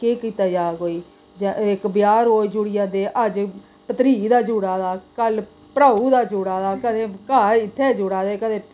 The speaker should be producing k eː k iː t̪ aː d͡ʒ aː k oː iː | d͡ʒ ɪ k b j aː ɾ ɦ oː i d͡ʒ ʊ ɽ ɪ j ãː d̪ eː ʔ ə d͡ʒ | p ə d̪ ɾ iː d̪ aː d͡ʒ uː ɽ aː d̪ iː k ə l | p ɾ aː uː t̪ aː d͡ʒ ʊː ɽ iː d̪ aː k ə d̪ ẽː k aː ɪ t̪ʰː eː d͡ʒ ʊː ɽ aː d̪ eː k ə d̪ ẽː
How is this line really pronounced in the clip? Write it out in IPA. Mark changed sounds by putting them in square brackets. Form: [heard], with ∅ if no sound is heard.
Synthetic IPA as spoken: k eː k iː t̪ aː d͡ʒ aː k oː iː | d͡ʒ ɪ k b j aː ɾ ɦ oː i d͡ʒ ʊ ɽ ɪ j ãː d̪ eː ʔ ə d͡ʒ | p ə [t̪] ɾ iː d̪ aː d͡ʒ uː ɽ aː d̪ [aː] k ə l | p ɾ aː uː [d̪] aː d͡ʒ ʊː ɽ [aː] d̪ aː k ə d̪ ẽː k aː ɪ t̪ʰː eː d͡ʒ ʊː ɽ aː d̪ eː k ə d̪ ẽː